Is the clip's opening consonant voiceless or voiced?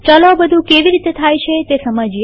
voiceless